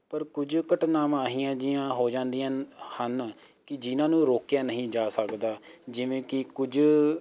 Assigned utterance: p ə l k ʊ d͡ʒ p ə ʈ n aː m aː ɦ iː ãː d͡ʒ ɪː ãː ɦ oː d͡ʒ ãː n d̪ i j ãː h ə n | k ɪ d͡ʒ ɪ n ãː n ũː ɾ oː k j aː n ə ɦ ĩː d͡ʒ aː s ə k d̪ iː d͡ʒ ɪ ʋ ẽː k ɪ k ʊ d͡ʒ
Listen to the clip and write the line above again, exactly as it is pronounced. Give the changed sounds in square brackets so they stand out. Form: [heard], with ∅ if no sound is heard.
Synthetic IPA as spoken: p ə [ɾ] k ʊ d͡ʒ [k] ə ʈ n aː m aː ɦ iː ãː d͡ʒ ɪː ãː ɦ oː d͡ʒ ãː n d̪ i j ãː h ə n | k ɪ d͡ʒ ɪ n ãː n ũː ɾ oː k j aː n ə ɦ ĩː d͡ʒ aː s ə k d̪ [aː] d͡ʒ ɪ ʋ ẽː k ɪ k ʊ d͡ʒ